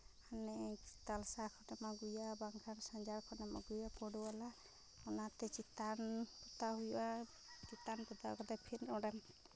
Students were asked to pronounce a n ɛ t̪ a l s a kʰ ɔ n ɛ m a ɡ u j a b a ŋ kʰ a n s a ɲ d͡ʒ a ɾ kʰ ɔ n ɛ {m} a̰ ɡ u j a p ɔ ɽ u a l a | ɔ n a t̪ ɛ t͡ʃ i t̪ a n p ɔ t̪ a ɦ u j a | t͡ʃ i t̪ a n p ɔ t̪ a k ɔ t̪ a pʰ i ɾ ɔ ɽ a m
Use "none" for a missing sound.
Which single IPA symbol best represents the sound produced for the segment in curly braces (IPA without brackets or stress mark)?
m